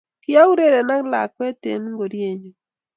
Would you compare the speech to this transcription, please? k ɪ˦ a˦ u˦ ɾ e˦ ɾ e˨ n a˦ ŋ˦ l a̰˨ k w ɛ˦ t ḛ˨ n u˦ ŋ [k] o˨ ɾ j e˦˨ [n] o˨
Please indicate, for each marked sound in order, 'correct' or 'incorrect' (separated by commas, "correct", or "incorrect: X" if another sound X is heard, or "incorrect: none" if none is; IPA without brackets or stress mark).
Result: incorrect: ɡ, incorrect: ɲ